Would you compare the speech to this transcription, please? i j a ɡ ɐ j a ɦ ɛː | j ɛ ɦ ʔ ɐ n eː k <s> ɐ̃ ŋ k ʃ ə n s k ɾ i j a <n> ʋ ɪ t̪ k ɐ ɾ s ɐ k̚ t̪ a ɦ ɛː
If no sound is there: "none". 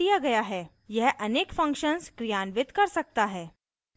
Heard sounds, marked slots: f, n

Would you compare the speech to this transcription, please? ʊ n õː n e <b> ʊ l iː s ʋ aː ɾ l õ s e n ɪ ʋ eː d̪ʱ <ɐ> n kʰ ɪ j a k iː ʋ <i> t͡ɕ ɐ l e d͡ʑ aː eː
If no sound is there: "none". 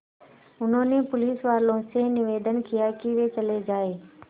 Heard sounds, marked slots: p, ə, e

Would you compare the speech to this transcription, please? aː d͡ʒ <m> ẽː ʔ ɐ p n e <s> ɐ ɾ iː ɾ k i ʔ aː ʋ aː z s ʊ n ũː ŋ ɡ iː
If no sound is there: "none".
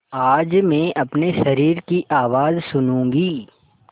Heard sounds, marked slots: m, ʃ

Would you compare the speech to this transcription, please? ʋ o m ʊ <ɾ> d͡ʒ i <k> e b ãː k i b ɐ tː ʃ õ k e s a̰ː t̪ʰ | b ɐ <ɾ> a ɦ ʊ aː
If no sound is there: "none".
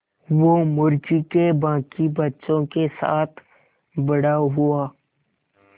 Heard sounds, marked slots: ɾ, k, ɽ

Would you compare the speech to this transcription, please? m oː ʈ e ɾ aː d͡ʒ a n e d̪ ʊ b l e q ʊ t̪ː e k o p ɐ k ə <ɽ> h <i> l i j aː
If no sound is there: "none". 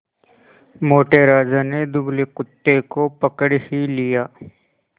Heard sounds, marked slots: ɽ, i

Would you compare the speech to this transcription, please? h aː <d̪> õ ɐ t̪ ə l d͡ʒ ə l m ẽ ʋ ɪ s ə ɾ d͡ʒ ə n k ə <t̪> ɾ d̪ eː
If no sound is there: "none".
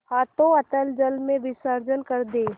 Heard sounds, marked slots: t̪, none

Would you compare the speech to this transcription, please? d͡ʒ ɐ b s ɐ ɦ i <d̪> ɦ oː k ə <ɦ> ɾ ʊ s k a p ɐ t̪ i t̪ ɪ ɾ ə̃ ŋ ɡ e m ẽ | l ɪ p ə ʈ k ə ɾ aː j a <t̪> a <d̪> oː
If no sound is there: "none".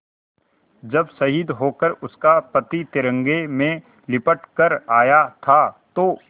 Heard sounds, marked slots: d̪, none, t̪ʰ, t̪

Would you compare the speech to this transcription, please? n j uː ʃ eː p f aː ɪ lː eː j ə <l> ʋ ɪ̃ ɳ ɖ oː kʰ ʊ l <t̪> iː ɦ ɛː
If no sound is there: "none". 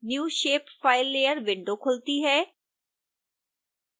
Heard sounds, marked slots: ɾ, t̪

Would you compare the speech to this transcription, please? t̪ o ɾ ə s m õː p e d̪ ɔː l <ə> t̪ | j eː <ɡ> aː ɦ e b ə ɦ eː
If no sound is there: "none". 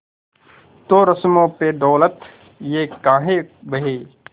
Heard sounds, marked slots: ə, k

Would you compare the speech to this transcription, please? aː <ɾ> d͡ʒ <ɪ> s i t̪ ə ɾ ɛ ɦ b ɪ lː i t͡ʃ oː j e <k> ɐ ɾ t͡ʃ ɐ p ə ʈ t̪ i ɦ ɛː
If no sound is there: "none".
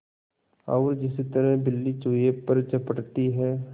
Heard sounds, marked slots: ɾ, ɪ, p

